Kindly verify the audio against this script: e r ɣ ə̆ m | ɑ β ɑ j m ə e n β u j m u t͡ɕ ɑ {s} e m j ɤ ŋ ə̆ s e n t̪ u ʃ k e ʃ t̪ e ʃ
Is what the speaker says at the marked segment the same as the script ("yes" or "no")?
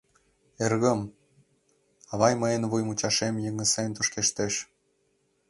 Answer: no